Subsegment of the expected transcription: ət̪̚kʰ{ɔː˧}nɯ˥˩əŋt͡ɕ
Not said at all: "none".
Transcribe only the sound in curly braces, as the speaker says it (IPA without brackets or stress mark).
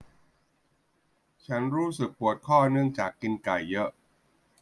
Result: ɔː˥˩